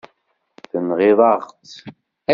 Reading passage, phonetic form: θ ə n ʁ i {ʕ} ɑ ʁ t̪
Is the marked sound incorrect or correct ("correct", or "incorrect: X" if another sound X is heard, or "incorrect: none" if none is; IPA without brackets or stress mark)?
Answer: incorrect: ð